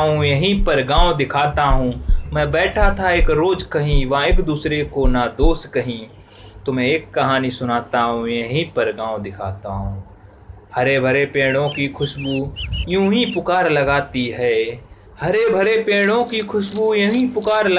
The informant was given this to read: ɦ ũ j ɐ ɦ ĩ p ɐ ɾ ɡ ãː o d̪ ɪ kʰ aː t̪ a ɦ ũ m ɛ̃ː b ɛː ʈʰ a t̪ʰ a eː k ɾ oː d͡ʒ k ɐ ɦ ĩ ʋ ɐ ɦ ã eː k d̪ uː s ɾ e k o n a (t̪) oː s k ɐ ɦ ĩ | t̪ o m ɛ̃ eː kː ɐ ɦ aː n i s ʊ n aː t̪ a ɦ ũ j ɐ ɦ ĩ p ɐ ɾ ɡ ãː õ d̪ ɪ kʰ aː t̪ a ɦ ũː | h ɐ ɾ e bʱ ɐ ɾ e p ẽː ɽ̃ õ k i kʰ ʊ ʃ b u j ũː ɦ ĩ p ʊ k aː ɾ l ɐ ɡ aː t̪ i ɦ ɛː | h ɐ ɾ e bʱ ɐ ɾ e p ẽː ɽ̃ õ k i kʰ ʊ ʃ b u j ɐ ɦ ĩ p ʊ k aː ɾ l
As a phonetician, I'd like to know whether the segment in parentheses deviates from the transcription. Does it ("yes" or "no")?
yes